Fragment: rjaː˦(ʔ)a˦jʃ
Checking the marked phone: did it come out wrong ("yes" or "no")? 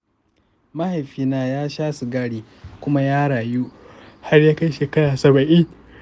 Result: yes